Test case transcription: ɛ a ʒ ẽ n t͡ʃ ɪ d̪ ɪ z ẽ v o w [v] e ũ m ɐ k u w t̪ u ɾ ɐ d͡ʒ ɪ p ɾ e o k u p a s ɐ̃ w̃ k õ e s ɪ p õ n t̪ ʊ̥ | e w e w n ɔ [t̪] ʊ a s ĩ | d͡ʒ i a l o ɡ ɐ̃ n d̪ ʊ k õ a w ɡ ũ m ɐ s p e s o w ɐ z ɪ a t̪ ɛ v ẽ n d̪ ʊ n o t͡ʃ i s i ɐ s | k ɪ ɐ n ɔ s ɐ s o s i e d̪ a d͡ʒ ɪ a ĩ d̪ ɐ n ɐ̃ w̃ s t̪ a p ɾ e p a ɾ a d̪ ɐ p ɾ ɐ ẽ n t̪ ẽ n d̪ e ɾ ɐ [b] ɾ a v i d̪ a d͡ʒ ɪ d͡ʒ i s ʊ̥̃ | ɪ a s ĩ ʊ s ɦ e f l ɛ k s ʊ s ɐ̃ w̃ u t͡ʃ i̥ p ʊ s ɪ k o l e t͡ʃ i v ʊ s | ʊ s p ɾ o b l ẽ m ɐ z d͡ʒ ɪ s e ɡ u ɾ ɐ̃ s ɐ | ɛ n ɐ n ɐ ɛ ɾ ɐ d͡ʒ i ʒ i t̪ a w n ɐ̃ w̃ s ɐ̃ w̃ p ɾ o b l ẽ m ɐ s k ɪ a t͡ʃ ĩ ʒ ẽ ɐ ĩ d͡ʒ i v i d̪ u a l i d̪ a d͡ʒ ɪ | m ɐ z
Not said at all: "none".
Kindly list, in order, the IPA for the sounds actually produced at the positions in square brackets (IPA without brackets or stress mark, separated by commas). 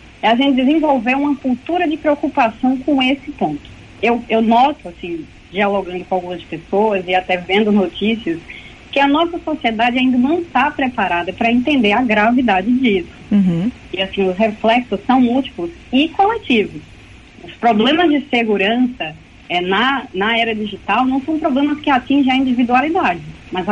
v, t̪, ɡ